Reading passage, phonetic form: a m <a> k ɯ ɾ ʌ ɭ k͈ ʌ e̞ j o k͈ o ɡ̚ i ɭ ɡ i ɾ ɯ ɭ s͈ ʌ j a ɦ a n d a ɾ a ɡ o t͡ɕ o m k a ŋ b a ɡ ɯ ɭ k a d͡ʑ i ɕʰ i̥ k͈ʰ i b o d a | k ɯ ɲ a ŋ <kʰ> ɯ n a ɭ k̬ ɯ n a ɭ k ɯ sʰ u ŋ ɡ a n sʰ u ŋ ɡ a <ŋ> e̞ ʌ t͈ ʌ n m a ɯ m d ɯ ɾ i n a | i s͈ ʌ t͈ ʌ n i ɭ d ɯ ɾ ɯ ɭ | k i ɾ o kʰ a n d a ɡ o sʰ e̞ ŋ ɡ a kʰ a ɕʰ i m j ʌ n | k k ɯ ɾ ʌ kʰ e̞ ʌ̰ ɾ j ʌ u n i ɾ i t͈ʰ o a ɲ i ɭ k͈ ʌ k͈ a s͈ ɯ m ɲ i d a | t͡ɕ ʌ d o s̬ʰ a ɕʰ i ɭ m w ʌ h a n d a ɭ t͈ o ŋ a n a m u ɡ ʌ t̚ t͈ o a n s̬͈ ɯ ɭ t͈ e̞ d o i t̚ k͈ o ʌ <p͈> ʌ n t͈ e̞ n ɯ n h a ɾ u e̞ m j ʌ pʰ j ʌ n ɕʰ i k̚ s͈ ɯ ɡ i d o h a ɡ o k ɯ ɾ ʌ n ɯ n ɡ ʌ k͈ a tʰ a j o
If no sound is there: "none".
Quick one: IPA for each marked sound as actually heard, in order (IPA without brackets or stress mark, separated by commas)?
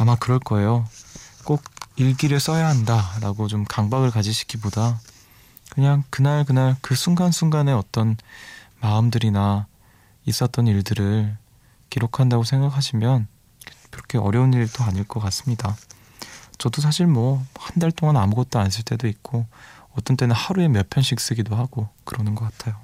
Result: a, k, n, t͈